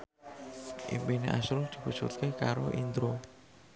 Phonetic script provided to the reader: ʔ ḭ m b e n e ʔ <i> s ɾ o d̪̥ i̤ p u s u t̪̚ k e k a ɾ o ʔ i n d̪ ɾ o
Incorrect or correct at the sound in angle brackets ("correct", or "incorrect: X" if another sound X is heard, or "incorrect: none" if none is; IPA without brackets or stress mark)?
incorrect: a